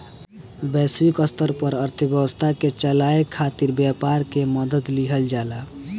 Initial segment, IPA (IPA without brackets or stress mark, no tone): b